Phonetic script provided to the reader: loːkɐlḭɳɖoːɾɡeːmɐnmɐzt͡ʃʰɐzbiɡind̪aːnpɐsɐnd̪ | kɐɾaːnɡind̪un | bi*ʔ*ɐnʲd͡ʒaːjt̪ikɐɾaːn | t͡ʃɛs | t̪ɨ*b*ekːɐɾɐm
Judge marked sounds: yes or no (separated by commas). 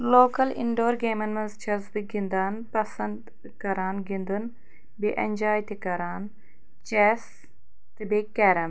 yes, yes